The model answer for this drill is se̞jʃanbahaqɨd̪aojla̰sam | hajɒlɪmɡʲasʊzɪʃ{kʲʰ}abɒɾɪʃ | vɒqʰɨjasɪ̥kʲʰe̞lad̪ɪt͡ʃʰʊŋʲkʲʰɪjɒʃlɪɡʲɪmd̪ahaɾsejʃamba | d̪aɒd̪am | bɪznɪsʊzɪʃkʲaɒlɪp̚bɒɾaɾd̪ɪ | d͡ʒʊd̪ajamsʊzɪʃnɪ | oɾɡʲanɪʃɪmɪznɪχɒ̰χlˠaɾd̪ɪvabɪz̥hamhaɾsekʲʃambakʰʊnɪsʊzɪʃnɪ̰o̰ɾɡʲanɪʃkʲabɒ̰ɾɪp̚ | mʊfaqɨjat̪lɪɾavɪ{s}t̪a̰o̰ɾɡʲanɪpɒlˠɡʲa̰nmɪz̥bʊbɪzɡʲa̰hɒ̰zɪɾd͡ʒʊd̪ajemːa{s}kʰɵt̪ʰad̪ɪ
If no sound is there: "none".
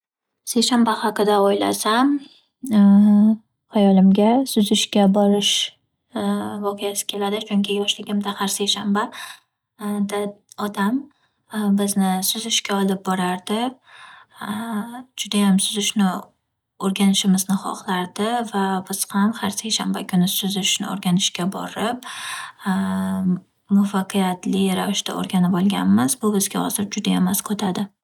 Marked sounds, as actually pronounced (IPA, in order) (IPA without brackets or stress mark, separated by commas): kʲ, ʃ, s